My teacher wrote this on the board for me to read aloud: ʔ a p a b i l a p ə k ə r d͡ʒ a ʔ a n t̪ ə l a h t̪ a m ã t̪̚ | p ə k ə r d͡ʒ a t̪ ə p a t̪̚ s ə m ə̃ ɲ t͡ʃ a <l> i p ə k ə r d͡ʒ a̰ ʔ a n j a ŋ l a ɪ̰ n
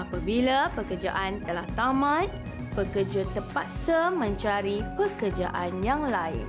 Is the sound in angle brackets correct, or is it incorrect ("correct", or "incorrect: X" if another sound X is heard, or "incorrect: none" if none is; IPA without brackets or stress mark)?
incorrect: ɾ